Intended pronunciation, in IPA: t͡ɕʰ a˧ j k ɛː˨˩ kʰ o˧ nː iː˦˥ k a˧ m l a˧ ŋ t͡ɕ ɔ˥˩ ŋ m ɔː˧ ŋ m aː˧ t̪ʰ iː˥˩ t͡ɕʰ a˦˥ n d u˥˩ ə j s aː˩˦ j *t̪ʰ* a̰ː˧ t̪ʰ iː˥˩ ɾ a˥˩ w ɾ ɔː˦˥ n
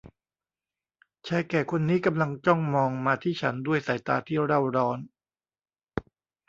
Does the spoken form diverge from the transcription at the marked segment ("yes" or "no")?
yes